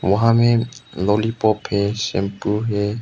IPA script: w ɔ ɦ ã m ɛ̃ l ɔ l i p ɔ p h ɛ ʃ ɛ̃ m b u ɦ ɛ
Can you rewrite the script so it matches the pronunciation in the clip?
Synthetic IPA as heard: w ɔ ɦ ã m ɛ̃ l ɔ l i p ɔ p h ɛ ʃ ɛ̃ m p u ɦ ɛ